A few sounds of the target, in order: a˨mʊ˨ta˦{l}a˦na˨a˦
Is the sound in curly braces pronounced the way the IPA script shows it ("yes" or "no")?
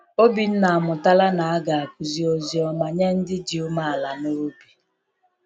yes